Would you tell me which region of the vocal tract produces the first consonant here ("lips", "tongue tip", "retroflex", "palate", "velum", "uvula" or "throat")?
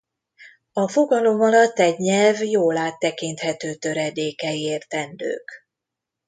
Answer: lips